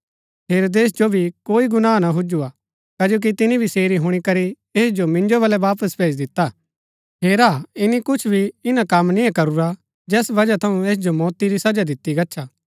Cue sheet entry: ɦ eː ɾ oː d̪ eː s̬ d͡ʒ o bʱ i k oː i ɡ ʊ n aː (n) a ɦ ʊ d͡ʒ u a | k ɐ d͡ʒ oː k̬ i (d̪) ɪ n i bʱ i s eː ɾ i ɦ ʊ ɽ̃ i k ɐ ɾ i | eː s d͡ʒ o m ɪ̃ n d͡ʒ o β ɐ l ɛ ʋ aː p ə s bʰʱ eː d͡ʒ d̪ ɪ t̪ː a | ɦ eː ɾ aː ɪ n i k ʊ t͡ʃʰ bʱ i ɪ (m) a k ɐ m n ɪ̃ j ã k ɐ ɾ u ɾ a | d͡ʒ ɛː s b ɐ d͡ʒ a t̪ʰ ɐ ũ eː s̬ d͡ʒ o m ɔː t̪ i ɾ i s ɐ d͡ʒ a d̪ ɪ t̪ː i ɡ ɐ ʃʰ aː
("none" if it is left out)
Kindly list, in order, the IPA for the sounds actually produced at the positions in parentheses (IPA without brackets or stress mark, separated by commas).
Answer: n, t̪, n